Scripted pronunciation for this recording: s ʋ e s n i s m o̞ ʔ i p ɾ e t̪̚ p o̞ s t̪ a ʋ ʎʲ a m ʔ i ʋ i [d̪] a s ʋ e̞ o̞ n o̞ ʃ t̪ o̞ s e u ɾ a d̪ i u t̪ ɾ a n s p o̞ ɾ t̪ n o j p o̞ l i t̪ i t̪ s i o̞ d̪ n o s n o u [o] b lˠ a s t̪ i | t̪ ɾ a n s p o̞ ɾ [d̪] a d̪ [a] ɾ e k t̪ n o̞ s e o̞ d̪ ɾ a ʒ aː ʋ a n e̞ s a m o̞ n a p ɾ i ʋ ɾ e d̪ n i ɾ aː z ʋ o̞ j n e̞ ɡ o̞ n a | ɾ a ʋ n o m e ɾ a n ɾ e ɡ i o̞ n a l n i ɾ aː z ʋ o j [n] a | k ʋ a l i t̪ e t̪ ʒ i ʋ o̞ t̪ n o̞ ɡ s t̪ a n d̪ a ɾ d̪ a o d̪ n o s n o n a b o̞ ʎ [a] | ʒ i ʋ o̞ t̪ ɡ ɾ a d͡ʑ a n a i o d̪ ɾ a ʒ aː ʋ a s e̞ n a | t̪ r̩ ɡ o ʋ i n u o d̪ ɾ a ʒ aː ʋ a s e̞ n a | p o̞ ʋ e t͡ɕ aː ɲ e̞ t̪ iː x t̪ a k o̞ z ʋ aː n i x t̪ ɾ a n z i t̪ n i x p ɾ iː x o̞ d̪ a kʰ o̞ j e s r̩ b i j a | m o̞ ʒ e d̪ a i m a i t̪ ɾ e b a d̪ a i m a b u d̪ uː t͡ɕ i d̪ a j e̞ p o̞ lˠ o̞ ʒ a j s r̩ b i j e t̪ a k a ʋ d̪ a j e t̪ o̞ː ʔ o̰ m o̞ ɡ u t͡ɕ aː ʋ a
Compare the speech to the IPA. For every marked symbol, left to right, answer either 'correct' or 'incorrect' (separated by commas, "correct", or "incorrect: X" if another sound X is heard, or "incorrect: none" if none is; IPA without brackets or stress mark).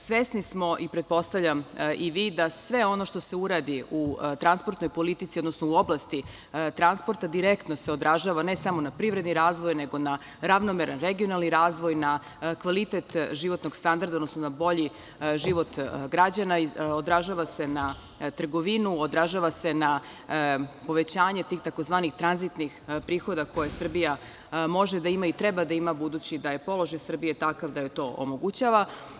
correct, correct, incorrect: t̪, incorrect: i, correct, incorrect: i